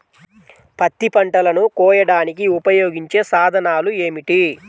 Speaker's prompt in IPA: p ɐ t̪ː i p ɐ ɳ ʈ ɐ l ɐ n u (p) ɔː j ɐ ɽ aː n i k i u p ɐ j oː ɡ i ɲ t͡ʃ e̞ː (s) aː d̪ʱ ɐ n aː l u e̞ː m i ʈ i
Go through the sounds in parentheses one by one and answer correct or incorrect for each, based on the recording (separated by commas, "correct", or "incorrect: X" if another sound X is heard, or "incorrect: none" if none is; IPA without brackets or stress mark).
incorrect: k, correct